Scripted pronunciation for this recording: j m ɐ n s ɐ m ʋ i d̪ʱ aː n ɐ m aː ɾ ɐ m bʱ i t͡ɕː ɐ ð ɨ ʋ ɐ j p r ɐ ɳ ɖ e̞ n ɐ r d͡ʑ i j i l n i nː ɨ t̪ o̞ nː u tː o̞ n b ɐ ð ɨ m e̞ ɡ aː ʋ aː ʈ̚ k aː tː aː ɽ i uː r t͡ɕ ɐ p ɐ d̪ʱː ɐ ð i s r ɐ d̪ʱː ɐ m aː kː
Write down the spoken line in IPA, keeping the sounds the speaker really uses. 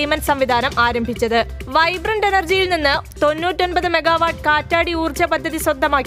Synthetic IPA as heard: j m ɐ n s ɐ m ʋ i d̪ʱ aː n ɐ m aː ɾ ɐ m bʱ i t͡ɕː ɐ ð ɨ ʋ ɐ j b r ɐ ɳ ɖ e̞ n ɐ r d͡ʑ i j i l n i nː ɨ t̪ o̞ nː uː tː o̞ n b ɐ ð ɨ m e̞ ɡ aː ʋ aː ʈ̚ k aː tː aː ɽ i uː r t͡ɕ ɐ p ɐ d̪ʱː ɐ ð i s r ɐ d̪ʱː ɐ m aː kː